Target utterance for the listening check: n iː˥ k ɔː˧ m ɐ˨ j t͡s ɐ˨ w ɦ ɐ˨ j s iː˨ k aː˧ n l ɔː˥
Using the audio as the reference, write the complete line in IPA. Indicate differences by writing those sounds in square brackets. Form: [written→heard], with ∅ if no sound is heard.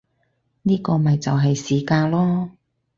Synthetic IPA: n iː˥ k ɔː˧ m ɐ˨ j t͡s ɐ˨ w ɦ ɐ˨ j s iː˨ k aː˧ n l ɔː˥